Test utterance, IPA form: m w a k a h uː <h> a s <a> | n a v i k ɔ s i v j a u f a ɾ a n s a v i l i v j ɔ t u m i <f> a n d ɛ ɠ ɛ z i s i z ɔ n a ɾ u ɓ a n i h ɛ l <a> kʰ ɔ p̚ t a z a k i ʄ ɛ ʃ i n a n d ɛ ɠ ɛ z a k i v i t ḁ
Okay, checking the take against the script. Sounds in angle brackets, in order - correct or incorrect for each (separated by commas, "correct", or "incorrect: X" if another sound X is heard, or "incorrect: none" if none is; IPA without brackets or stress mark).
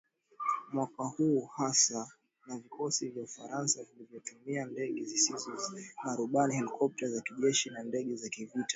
correct, correct, incorrect: none, incorrect: i